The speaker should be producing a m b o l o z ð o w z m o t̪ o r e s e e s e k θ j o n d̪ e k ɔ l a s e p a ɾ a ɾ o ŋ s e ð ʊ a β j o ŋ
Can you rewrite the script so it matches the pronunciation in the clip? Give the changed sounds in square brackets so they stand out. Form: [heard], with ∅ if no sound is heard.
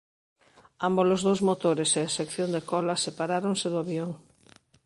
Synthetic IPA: a m b o l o z ð o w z m o t̪ o [ɾ] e s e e s e k θ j o n d̪ e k ɔ l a s e p a ɾ a ɾ o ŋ s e ð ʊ a β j o ŋ